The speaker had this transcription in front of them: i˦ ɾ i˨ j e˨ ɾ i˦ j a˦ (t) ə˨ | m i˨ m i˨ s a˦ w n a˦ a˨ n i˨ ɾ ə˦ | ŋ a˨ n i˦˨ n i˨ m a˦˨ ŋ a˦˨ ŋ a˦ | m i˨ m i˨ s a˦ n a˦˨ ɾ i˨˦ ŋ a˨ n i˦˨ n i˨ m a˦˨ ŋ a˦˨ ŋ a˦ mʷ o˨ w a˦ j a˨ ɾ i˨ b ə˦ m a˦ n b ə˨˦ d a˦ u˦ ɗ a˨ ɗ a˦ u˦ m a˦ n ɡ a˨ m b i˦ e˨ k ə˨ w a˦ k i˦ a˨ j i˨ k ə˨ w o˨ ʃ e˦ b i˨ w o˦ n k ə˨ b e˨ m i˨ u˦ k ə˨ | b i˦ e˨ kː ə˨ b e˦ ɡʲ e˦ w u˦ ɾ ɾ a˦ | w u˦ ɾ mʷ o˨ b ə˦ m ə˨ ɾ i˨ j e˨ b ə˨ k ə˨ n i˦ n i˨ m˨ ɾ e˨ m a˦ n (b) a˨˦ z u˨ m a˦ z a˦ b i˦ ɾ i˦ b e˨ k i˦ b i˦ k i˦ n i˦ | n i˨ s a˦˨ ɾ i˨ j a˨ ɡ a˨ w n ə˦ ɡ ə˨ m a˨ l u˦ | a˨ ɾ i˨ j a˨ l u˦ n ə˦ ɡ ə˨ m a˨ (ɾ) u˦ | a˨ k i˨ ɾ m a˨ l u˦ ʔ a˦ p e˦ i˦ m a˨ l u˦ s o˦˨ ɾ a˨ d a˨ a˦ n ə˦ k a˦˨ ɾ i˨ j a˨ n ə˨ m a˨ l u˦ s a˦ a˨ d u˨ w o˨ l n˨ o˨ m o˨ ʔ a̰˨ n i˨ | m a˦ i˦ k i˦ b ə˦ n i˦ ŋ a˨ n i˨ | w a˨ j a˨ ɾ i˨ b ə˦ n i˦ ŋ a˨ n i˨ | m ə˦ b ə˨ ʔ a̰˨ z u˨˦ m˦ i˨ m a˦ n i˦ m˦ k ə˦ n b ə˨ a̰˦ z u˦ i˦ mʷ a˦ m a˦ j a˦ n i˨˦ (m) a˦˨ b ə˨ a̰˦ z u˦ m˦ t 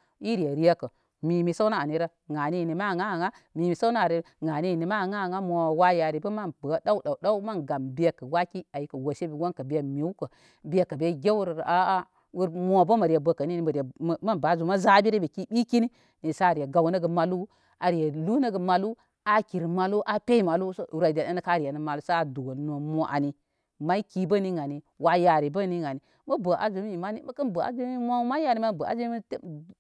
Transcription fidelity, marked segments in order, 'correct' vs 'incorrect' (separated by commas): incorrect, correct, incorrect, correct